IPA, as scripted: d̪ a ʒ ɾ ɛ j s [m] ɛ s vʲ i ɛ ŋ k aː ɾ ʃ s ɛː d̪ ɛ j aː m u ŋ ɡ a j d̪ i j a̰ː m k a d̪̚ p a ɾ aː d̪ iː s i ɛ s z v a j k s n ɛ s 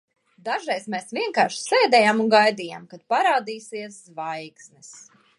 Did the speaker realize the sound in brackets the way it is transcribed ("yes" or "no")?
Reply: yes